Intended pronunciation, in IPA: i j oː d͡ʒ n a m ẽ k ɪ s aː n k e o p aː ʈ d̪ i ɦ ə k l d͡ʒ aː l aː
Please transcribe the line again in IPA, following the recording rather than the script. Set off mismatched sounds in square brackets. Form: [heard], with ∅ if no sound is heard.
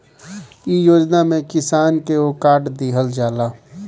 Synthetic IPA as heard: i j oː d͡ʒ n a m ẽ k ɪ s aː n k e o [k] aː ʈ d̪ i ɦ ə [∅] l d͡ʒ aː l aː